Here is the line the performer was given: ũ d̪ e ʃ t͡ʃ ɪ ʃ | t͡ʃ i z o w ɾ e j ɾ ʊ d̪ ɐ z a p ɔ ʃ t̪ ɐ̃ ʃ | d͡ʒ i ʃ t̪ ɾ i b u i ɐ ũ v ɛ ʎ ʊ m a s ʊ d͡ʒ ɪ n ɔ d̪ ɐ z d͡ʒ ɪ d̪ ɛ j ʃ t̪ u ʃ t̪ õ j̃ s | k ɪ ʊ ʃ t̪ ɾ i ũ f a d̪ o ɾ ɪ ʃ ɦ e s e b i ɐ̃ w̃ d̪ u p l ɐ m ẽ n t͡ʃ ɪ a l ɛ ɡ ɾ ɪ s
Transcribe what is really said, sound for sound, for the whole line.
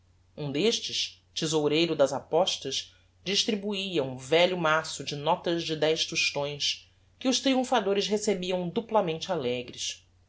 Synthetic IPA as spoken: ũ d̪ e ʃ t͡ʃ ɪ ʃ | t͡ʃ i z o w ɾ e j ɾ ʊ d̪ ɐ z a p ɔ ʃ t̪ ɐ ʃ | d͡ʒ i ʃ t̪ ɾ i b u i ɐ ũ v ɛ ʎ ʊ m a s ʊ d͡ʒ ɪ n ɔ t̪ ɐ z d͡ʒ ɪ d̪ ɛ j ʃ t̪ u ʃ t̪ õ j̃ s | k ɪ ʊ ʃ t̪ ɾ i ũ f a d̪ o ɾ ɪ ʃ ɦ e s e b i ɐ̃ w̃ d̪ u p l ɐ m ẽ n t͡ʃ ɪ a l ɛ ɡ ɾ ɪ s